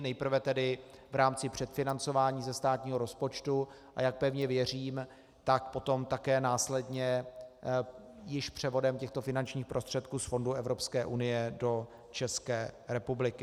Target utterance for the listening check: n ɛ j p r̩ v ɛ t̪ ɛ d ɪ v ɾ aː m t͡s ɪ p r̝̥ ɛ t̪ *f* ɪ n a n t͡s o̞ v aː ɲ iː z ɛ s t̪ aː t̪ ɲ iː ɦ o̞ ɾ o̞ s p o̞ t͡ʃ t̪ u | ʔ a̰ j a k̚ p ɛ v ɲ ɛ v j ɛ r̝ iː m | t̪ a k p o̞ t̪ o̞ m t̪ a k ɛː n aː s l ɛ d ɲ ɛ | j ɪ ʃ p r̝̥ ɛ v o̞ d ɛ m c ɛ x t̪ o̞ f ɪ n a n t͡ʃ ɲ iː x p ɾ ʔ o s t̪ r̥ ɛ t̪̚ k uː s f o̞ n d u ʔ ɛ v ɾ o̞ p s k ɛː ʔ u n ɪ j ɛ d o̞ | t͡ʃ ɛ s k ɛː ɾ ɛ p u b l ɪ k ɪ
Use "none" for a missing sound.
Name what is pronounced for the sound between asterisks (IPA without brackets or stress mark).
f